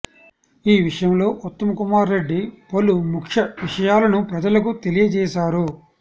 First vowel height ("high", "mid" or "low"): high